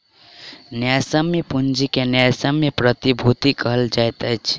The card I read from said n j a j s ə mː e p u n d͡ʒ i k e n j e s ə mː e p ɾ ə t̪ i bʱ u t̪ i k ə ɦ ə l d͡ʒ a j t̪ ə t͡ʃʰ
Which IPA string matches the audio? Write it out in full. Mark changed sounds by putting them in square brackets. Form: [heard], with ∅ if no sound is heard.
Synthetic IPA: n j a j s ə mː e p u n d͡ʒ i k e n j [a] s ə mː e p ɾ ə t̪ i bʱ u t̪ i k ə ɦ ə l d͡ʒ a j t̪ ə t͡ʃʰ